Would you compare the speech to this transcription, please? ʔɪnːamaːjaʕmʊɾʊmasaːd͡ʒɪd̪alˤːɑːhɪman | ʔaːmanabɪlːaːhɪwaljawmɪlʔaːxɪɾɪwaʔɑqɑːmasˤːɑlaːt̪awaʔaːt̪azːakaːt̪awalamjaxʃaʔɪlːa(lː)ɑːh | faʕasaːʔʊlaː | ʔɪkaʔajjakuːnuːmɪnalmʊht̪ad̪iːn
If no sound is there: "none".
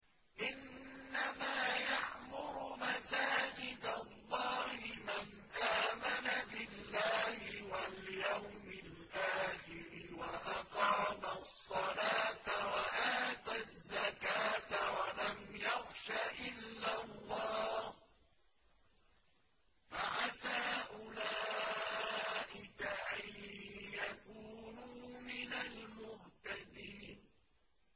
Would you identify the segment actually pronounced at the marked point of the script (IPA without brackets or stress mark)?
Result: lː